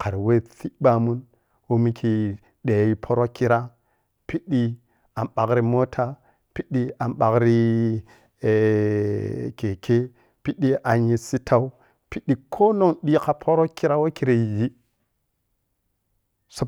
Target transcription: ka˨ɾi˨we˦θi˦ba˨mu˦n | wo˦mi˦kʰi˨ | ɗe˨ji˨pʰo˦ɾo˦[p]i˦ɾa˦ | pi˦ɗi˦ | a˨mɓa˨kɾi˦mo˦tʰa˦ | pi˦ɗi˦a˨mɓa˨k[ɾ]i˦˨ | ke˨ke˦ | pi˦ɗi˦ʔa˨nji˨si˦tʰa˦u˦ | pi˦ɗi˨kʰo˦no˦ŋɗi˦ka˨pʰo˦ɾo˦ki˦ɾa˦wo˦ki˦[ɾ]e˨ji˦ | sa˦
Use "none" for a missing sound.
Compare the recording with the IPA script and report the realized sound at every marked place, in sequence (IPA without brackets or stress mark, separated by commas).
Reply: k, ɾ, ɾ